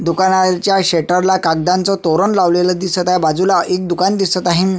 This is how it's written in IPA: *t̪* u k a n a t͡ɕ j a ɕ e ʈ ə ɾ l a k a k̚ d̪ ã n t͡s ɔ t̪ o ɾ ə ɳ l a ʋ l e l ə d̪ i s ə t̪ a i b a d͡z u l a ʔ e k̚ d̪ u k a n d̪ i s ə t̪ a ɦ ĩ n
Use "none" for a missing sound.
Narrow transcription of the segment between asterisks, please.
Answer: d̪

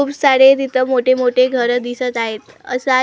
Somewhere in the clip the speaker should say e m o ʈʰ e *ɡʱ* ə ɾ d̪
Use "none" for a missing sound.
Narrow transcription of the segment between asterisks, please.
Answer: ɡʱ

